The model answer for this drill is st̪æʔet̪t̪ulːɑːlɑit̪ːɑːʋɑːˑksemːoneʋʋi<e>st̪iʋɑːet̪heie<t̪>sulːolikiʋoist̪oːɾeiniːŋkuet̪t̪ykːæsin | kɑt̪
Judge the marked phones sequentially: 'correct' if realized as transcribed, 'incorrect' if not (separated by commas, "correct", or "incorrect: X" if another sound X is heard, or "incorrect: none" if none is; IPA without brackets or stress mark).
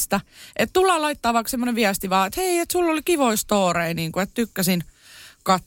incorrect: æ, correct